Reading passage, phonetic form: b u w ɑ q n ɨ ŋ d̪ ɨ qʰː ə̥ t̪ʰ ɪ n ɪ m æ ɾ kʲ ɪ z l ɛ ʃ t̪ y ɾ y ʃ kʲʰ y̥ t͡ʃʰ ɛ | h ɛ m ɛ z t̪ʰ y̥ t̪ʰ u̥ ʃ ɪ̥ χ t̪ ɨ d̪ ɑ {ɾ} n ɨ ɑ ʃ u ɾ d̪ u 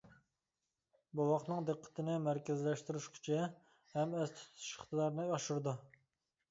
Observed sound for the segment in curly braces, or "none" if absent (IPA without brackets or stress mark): ɾ